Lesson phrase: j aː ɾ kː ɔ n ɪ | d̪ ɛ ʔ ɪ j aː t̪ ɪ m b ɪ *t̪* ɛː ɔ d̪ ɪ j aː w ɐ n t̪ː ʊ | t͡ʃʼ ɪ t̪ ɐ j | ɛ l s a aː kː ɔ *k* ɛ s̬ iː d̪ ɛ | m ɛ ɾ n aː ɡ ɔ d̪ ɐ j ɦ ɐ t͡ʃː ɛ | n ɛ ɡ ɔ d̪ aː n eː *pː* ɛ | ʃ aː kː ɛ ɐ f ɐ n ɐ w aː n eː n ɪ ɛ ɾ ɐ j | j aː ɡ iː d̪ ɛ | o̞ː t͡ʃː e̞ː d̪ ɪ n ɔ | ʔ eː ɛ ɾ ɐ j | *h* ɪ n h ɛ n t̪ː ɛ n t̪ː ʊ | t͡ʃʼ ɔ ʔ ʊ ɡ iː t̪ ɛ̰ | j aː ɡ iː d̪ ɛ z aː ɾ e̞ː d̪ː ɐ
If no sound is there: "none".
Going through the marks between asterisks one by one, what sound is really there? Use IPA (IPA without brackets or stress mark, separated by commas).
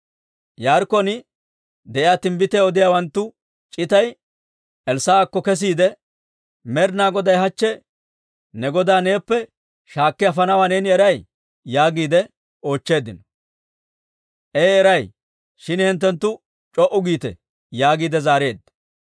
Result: t̪, k, pː, ʃ